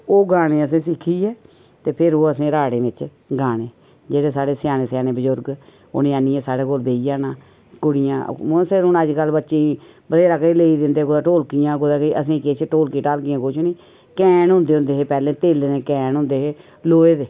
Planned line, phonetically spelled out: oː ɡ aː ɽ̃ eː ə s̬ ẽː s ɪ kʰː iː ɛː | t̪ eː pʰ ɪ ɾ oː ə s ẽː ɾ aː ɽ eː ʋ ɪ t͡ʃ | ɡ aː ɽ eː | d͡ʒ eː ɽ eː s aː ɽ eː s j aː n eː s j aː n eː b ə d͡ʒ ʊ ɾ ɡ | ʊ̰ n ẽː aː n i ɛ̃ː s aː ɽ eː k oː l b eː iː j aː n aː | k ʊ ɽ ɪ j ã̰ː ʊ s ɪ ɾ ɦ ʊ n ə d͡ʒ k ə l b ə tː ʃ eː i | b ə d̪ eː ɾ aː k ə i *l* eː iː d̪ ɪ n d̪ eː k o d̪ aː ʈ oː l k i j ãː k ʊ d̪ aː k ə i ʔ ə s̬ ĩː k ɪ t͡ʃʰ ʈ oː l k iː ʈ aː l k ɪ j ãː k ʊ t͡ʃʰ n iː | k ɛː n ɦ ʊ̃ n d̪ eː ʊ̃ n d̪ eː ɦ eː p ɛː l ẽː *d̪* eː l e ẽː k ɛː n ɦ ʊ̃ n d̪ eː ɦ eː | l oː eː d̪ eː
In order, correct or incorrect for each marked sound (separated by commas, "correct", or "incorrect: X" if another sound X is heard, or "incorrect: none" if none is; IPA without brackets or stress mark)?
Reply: correct, incorrect: t̪